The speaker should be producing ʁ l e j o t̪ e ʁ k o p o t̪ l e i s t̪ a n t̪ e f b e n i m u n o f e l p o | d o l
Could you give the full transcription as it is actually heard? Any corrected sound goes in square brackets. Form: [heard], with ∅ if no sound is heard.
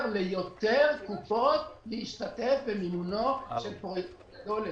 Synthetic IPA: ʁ l e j o t̪ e ʁ k [u] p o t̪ l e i [ʃ] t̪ a [∅] t̪ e f b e [m] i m u n o [ʃ] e l p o | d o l